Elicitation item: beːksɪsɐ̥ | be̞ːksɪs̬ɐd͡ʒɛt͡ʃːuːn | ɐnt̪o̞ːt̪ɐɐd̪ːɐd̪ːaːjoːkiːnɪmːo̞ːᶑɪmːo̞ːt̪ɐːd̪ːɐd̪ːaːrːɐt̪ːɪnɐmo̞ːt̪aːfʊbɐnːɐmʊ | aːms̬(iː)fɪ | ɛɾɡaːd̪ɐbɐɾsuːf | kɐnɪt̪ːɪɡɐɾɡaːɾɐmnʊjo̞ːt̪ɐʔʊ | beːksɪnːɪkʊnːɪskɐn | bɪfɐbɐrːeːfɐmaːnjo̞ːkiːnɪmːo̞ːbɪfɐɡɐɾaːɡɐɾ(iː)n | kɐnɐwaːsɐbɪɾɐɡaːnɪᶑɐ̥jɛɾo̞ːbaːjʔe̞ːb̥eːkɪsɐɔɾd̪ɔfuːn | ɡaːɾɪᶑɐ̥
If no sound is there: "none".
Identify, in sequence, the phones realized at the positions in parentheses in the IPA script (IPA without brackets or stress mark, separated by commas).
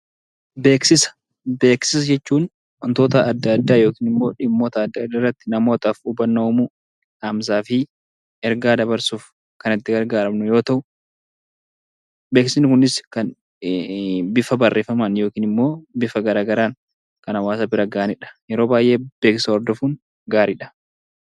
aː, aː